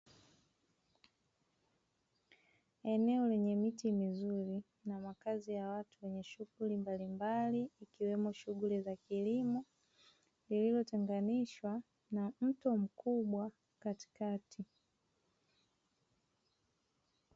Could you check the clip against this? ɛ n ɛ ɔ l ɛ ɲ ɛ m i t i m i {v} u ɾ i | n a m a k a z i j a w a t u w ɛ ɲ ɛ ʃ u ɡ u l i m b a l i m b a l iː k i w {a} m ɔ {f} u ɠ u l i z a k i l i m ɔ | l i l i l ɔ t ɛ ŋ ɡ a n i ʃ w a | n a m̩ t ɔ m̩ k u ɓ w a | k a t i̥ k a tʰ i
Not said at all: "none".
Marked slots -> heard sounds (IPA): z, ɛ, ʃ

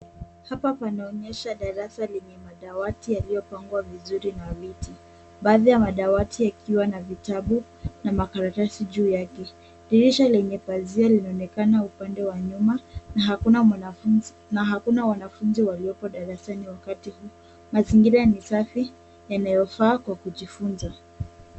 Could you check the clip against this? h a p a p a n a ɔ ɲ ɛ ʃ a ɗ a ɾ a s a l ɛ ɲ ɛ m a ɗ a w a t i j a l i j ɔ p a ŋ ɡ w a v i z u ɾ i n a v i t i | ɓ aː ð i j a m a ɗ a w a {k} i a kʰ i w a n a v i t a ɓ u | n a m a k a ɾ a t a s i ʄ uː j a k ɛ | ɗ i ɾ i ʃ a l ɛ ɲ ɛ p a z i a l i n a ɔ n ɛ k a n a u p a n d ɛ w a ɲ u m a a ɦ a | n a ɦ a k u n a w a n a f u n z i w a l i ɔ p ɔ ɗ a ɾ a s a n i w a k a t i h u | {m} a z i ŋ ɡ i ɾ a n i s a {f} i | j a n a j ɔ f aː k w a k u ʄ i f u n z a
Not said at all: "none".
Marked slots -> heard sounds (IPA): t, m, f

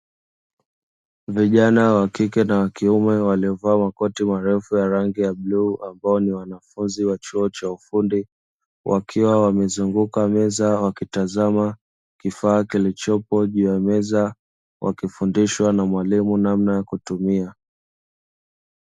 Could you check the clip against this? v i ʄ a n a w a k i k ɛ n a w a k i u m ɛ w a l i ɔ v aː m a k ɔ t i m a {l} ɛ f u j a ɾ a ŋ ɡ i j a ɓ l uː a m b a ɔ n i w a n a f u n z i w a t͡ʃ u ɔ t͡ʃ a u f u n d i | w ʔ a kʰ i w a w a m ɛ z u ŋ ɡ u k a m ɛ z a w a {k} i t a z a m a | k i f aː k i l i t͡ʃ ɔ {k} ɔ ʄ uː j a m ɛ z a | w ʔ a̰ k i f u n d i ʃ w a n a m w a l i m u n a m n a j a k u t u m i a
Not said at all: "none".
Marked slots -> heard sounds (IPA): ɾ, k, p

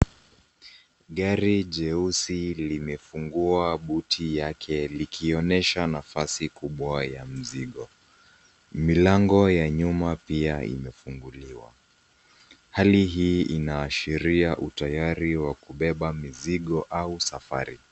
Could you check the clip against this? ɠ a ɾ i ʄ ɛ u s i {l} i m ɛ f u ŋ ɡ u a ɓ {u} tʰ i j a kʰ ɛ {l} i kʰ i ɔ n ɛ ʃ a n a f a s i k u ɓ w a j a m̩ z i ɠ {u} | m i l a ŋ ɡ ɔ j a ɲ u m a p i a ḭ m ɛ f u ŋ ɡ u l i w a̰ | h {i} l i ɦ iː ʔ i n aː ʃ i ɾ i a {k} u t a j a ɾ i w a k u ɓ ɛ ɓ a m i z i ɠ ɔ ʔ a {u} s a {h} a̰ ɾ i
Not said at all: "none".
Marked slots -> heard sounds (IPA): l, u, l, ɔ, a, ʔ, u, f

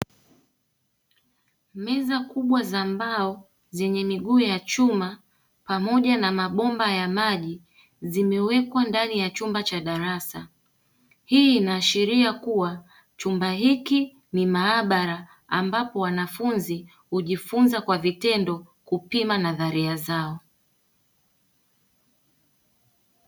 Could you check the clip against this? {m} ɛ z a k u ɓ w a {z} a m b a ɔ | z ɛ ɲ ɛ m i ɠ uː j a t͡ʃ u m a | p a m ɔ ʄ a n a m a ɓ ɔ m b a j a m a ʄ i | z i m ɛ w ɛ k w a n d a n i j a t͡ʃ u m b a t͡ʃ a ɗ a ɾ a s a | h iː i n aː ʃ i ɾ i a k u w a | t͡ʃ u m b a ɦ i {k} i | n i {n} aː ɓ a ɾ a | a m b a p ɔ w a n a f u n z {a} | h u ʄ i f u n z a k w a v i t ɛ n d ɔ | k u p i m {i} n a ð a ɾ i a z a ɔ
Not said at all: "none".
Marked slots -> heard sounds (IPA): m, z, k, m, i, a

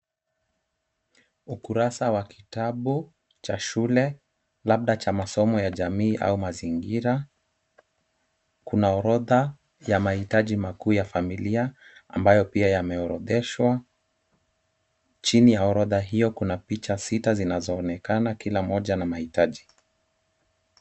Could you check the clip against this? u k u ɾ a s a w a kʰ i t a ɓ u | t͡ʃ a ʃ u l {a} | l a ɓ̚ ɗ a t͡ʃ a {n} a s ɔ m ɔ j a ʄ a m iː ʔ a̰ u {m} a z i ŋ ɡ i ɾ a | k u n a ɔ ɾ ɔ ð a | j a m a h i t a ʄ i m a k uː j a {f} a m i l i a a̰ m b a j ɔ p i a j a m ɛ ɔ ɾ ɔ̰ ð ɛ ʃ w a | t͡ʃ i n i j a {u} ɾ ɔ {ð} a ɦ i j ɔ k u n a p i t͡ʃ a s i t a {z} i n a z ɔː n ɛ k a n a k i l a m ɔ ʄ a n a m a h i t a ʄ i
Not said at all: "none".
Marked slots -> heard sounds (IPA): ɛ, m, m, f, ɔ, ð, z

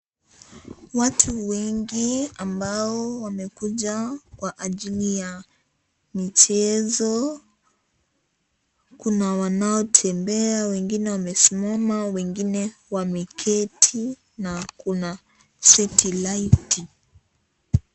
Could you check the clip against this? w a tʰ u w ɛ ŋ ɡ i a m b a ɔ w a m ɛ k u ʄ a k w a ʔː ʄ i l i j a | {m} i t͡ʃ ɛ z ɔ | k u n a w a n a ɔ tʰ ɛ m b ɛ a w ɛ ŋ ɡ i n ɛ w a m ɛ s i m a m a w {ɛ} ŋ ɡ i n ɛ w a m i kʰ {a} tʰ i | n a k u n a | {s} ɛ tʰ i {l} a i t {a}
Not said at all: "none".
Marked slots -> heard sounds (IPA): m, ɛ, ɛ, s, l, i

